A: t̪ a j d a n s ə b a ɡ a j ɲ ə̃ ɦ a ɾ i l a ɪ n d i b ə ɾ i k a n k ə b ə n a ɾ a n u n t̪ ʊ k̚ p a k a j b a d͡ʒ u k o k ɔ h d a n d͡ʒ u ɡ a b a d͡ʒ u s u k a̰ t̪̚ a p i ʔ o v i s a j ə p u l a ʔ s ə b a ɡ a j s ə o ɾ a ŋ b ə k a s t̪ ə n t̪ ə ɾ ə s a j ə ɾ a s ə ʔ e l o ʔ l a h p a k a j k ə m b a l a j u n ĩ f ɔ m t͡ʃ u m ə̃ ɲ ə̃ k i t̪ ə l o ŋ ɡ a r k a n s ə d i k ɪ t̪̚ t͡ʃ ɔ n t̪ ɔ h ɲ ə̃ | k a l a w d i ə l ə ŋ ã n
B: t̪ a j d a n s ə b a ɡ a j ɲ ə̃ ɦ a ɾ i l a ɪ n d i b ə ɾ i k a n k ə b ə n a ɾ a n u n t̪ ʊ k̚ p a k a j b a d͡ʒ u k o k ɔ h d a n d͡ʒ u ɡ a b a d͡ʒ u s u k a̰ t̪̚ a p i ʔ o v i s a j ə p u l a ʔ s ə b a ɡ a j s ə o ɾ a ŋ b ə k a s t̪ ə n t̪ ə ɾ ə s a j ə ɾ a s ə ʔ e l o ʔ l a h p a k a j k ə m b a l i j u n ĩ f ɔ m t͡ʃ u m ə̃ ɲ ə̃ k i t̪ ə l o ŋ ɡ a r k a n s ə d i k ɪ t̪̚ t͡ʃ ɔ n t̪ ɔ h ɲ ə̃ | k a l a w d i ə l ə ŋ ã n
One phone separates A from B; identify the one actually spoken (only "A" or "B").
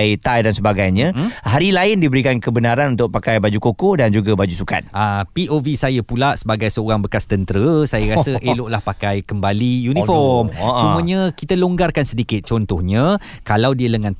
B